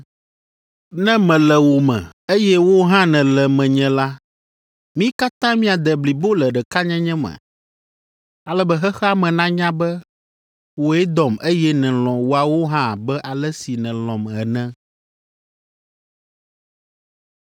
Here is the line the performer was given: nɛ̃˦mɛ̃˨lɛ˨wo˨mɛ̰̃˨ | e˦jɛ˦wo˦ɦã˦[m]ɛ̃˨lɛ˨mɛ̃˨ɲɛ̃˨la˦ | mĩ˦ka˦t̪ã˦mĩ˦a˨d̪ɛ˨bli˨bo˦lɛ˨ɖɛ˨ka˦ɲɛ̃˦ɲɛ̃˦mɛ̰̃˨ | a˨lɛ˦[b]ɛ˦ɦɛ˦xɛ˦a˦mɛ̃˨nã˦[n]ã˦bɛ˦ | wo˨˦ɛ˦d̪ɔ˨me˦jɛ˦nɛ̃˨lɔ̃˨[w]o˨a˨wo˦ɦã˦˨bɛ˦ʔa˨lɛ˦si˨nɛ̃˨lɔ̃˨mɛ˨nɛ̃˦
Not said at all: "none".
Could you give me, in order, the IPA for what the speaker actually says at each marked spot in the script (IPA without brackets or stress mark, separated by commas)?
n, b, ɲ, w